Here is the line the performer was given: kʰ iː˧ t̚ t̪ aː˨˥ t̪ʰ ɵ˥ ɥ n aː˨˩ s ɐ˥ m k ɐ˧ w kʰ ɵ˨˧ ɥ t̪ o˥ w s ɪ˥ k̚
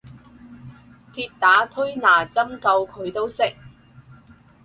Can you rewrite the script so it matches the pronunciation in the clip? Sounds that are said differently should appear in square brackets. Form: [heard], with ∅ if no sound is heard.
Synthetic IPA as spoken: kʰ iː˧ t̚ t̪ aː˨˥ t̪ʰ ɵ˥ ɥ n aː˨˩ [t͡s] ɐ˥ m k ɐ˧ w kʰ ɵ˨˧ ɥ t̪ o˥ w s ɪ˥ k̚